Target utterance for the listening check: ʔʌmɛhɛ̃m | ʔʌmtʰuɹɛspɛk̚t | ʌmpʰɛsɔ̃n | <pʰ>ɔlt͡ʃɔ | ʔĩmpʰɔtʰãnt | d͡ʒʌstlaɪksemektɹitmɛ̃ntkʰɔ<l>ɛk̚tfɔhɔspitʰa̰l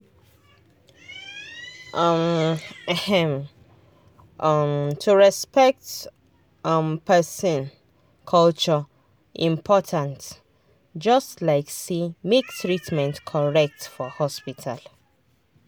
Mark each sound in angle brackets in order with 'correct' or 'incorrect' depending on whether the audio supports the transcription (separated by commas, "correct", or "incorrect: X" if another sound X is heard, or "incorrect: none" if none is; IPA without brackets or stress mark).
incorrect: kʰ, incorrect: ɹ